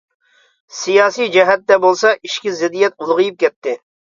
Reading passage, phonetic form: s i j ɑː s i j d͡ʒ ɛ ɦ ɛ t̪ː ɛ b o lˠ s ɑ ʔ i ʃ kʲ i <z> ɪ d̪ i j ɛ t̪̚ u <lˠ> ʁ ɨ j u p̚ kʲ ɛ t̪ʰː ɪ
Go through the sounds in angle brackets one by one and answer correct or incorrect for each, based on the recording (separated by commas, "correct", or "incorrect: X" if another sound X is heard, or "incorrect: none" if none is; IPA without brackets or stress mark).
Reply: correct, correct